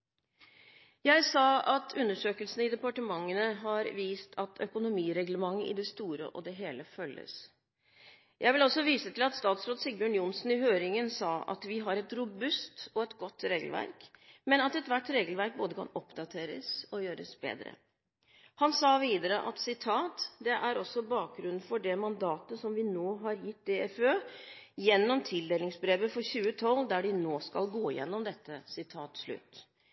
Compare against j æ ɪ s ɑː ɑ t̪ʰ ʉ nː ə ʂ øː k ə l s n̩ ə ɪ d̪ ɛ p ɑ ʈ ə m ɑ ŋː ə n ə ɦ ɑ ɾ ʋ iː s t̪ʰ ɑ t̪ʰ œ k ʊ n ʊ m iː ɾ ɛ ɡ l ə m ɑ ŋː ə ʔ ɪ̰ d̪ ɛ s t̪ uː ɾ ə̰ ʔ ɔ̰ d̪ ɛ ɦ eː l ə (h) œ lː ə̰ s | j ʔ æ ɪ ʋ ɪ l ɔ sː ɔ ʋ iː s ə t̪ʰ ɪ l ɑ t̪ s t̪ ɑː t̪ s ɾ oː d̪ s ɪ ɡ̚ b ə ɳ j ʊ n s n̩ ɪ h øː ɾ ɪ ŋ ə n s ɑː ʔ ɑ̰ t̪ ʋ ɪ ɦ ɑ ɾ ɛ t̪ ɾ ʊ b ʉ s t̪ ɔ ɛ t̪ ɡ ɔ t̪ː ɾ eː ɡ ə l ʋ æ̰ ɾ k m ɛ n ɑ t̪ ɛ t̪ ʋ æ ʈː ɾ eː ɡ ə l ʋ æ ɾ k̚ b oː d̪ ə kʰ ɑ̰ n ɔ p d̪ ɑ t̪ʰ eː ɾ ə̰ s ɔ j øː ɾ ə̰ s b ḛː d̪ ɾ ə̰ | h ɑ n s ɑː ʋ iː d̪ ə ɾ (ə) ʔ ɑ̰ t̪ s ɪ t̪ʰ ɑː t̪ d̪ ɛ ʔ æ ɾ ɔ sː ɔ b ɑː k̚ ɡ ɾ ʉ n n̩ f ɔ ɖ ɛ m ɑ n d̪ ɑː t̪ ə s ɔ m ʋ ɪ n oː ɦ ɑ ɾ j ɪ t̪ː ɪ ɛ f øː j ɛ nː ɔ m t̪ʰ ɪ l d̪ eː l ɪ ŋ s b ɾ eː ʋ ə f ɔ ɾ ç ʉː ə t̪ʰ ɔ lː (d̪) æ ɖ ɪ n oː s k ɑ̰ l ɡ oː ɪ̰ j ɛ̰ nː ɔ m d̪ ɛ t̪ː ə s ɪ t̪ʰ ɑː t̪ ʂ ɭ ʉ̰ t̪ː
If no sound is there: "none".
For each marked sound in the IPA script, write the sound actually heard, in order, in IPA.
f, ə, d̪

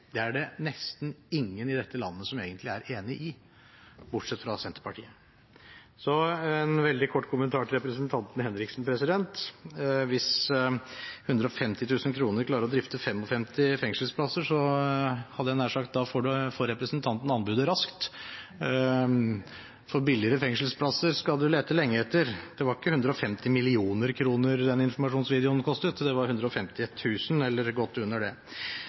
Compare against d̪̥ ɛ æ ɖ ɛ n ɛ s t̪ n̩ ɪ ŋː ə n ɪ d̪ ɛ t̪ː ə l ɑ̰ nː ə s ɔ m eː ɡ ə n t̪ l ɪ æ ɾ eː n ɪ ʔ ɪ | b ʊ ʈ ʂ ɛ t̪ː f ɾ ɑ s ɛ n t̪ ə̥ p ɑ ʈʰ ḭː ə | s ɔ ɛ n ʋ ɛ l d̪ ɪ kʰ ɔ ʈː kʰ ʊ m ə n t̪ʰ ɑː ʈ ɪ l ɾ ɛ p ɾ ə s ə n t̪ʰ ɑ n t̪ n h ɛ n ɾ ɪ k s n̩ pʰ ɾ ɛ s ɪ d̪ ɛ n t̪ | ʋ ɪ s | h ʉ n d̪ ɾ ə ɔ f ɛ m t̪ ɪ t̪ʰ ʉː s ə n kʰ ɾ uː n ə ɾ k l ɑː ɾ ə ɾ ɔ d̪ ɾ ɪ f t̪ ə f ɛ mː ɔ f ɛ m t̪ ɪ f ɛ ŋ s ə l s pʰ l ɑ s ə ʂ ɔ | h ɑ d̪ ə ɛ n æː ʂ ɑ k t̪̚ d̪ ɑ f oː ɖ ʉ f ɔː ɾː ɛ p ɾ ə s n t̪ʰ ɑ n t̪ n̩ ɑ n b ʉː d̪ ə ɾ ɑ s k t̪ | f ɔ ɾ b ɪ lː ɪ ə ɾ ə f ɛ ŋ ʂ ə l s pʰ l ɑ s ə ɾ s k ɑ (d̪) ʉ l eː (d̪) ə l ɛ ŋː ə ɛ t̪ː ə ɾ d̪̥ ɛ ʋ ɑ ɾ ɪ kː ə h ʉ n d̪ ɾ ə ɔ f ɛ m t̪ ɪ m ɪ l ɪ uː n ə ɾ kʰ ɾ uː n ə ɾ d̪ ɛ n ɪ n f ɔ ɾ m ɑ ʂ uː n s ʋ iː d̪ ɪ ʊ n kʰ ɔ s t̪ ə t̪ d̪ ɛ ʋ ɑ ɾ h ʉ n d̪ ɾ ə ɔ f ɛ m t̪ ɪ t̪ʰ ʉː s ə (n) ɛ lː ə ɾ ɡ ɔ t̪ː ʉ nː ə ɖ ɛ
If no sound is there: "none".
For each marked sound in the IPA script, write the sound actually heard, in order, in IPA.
d̪, t̪, n

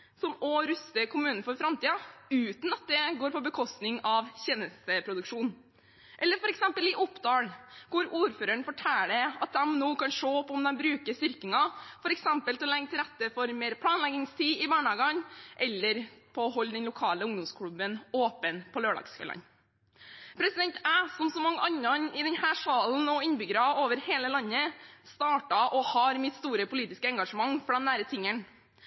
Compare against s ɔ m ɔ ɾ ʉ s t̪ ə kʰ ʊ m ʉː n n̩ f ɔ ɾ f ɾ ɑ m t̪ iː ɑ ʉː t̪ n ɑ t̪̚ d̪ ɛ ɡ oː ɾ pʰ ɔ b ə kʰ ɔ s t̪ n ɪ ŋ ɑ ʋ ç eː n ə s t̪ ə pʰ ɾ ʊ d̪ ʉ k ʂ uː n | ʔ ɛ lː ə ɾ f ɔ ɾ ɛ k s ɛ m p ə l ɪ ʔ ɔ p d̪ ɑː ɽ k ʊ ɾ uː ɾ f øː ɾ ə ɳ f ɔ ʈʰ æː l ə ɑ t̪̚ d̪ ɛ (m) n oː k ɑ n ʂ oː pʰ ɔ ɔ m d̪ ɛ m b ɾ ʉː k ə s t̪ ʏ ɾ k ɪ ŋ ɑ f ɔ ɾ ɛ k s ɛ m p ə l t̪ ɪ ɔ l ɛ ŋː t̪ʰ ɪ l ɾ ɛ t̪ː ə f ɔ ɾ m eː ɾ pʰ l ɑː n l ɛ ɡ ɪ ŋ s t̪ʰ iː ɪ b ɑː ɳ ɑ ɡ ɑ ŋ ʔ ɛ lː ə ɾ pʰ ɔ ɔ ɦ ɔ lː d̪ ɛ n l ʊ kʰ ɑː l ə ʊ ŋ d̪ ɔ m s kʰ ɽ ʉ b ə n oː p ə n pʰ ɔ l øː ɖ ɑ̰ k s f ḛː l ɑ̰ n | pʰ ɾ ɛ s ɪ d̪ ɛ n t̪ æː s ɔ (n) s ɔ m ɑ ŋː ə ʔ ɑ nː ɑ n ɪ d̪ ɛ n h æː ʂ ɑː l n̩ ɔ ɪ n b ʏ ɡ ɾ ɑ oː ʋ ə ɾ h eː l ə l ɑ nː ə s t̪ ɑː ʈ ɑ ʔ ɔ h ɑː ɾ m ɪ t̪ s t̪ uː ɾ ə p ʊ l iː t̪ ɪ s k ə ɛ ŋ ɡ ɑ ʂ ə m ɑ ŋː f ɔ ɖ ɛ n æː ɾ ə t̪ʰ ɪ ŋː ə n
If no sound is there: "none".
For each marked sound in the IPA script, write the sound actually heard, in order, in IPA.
m, m

